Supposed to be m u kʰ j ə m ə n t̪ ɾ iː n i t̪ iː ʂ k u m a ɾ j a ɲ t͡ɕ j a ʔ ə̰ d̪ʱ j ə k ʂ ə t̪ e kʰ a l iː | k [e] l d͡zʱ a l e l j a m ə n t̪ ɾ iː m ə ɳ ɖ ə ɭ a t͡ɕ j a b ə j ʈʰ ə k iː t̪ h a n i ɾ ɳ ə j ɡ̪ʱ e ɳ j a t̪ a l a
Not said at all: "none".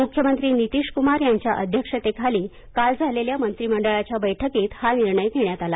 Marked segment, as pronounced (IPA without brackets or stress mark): a